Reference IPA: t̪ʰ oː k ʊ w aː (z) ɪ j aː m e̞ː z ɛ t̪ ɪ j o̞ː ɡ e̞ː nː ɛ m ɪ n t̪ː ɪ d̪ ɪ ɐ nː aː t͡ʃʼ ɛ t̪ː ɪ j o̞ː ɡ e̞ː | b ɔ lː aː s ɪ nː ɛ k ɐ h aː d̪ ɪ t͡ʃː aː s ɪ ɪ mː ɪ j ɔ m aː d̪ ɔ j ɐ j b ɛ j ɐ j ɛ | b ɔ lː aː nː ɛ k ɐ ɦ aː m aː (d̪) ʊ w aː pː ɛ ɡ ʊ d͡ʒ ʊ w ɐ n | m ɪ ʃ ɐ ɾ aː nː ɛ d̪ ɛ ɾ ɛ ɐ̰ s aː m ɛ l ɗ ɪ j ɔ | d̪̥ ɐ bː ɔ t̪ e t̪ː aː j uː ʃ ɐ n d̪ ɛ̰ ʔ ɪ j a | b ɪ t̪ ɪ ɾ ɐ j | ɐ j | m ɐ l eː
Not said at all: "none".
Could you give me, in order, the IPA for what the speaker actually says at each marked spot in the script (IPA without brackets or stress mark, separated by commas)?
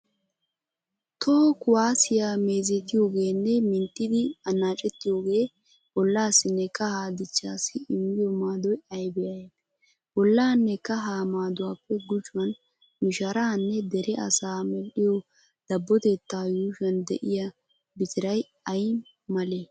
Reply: s, d̪